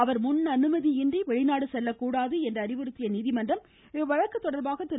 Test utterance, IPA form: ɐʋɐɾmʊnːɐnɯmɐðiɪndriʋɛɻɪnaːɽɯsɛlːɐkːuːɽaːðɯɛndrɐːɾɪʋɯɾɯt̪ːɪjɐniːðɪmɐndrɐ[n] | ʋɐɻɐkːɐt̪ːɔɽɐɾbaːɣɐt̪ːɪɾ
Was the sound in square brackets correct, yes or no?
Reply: no